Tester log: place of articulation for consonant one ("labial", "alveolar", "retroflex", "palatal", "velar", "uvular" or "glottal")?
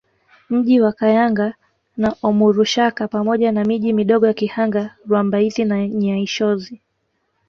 labial